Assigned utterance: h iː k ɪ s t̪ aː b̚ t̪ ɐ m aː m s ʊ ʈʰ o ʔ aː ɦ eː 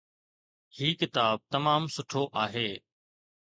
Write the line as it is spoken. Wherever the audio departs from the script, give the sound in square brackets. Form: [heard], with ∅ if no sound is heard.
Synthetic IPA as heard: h iː k ɪ [∅] t̪ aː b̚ t̪ ɐ m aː m s ʊ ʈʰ o ʔ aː ɦ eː